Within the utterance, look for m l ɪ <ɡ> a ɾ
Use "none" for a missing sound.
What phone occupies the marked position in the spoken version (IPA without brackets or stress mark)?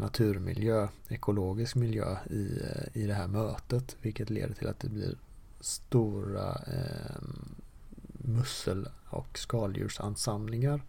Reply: ŋ